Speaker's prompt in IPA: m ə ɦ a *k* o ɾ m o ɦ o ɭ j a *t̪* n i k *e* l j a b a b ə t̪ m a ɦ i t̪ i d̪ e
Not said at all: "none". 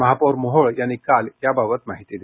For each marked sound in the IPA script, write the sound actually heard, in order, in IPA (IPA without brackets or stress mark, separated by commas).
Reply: p, none, a